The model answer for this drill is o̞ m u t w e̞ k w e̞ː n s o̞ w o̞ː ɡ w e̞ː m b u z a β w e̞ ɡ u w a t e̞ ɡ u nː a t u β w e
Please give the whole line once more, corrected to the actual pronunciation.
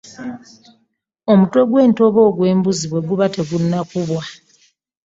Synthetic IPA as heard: o̞ m u t w e̞ ɡ w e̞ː n t o̞ β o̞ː ɡ w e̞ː m b u z i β w e̞ ɡ u β a t e̞ ɡ u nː a k u β w a